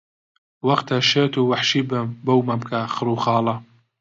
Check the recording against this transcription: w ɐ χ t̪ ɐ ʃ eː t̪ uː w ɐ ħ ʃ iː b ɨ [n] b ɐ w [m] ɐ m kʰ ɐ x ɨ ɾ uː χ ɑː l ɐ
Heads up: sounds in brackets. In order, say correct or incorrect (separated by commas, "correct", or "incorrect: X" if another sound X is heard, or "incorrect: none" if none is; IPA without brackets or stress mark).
incorrect: m, correct